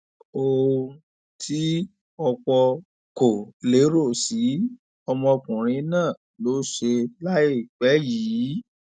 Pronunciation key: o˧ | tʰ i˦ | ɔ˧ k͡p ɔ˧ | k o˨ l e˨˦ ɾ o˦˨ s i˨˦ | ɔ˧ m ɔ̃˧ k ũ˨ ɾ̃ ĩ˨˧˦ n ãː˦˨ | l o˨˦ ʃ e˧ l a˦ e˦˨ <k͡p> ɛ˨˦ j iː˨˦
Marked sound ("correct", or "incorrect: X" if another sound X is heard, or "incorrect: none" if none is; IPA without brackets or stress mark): correct